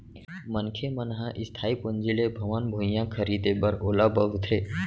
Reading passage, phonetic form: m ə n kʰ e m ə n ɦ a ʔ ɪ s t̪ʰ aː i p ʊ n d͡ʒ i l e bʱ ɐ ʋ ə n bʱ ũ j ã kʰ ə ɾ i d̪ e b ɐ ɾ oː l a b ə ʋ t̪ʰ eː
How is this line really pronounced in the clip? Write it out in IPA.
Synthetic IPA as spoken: m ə n kʰ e m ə n ɦ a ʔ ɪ s t̪ʰ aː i p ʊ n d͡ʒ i l e bʱ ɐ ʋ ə n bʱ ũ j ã kʰ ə ɾ i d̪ e b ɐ ɾ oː l a b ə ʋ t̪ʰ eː